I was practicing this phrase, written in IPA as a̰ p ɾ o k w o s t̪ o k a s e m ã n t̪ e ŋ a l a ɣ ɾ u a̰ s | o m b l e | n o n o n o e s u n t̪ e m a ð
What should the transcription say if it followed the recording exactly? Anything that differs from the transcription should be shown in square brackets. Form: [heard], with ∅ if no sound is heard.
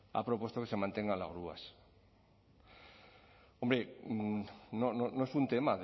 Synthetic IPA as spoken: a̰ p ɾ o [p] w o s t̪ o k [e] s e m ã n t̪ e ŋ a l a ɣ ɾ u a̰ s | o m b [ɾ] e | n o n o n o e s u n t̪ e m a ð